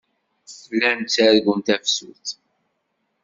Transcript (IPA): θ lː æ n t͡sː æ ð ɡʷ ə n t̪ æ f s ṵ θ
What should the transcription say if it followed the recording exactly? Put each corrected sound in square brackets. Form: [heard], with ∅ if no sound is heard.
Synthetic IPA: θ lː æ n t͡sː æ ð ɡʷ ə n t̪ æ f s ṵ θ